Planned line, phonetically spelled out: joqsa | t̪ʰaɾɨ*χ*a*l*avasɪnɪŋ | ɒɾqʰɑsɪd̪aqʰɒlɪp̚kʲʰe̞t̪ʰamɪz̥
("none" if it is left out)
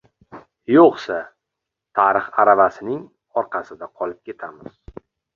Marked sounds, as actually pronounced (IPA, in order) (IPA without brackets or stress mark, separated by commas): χ, ɾ